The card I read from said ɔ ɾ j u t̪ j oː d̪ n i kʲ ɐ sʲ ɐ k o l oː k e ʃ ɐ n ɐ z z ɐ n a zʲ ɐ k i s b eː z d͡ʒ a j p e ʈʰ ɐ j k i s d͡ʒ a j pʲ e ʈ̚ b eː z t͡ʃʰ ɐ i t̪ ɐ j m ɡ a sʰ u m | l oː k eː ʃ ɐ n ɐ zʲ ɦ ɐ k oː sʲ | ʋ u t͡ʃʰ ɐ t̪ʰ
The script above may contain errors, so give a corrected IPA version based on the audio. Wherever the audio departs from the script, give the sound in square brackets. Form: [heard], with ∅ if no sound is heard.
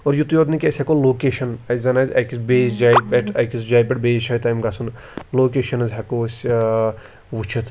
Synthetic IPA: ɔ ɾ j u t̪ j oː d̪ n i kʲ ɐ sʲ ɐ k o l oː k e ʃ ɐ n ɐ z z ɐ n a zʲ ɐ k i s b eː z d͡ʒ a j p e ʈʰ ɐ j k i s d͡ʒ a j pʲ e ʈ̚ b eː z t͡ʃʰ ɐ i t̪ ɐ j m ɡ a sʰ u [n] | l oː k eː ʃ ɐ n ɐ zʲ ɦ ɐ k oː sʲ | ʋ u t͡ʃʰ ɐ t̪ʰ

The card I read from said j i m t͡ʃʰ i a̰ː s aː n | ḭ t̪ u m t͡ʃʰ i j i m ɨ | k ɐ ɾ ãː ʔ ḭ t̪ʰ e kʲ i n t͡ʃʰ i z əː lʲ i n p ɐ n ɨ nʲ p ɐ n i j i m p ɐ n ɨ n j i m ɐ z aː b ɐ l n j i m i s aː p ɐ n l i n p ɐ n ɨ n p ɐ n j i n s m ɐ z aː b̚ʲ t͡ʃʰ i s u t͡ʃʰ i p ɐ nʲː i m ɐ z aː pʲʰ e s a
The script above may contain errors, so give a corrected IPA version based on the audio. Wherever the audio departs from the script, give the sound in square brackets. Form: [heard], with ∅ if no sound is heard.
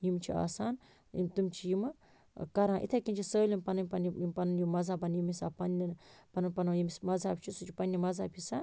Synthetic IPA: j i m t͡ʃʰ i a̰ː s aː n | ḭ t̪ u m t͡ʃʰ i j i m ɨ | k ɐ ɾ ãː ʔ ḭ t̪ʰ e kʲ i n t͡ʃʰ i [s] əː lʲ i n p ɐ n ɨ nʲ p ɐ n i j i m p ɐ n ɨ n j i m ɐ z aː b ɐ [∅] n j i m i s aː p ɐ n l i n p ɐ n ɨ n p ɐ n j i [m] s m ɐ z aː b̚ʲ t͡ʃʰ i s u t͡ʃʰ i p ɐ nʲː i m ɐ z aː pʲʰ [i] s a

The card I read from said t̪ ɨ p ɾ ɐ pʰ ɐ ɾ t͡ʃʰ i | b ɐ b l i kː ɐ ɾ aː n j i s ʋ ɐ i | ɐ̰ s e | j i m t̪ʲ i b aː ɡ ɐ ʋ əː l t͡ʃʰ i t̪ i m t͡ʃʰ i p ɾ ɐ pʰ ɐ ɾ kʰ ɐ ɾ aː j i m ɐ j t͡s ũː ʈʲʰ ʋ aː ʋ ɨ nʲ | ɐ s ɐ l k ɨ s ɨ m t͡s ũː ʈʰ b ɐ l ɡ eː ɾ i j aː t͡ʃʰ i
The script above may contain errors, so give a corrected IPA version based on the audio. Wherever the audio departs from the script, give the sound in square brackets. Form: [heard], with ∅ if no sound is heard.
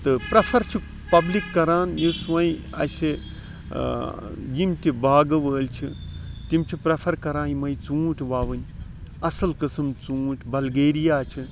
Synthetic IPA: t̪ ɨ p ɾ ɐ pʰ ɐ ɾ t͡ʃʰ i | [p] ɐ b l i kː ɐ ɾ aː n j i s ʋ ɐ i | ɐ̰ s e | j i m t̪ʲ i b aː ɡ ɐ ʋ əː l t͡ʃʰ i t̪ i m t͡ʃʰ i p ɾ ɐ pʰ ɐ ɾ [k] ɐ ɾ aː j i m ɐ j t͡s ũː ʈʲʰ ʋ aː ʋ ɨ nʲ | ɐ s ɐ l k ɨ s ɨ m t͡s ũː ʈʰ b ɐ l ɡ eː ɾ i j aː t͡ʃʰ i

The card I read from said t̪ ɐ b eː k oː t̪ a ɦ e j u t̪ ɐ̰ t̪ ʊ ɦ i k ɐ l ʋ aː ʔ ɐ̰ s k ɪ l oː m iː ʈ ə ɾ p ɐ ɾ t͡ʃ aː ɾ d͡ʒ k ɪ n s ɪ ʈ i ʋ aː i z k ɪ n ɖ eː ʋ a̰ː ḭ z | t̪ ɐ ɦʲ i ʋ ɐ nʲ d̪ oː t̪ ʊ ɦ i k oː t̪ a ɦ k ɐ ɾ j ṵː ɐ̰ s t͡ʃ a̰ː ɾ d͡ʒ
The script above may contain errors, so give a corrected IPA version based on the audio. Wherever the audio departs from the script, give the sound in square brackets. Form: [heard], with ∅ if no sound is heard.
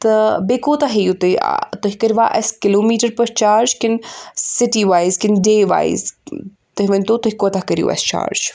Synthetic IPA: t̪ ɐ b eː k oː t̪ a ɦ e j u t̪ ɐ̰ t̪ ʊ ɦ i k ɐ [ɾ] ʋ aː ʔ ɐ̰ s k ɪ l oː m iː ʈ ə ɾ p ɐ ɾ t͡ʃ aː ɾ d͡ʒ k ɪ n s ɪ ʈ i ʋ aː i z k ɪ n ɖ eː ʋ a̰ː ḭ z | t̪ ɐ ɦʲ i ʋ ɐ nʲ [t̪] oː t̪ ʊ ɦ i k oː t̪ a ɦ k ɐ ɾ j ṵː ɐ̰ s t͡ʃ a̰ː ɾ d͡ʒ

